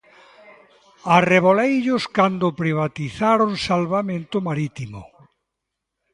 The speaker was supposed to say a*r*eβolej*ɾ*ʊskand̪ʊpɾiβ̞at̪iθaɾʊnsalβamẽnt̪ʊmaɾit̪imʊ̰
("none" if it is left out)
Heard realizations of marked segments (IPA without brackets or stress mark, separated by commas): r, ʎ